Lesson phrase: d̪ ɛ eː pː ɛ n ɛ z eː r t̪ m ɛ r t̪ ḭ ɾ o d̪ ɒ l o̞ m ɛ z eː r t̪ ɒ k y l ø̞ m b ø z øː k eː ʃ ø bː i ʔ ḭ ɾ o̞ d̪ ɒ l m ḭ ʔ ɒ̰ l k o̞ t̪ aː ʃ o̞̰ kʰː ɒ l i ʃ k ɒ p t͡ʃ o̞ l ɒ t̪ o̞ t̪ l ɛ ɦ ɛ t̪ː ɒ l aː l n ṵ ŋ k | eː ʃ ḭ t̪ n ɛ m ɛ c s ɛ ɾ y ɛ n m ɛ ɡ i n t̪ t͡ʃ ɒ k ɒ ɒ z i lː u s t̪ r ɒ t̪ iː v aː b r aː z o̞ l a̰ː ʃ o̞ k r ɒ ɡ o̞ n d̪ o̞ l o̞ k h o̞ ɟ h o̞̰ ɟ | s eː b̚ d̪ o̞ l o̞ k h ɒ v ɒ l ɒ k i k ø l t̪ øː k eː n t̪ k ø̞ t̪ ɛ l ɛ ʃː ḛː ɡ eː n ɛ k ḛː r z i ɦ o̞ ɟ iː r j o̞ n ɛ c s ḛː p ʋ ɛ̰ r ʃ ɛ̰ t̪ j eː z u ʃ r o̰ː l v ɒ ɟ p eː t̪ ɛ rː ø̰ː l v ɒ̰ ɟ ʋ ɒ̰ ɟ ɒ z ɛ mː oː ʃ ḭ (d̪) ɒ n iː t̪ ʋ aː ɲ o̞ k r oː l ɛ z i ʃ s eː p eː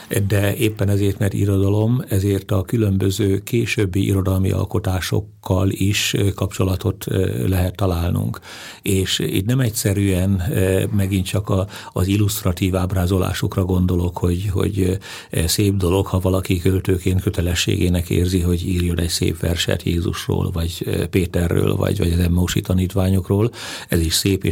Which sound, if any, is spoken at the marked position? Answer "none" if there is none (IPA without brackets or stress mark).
t̪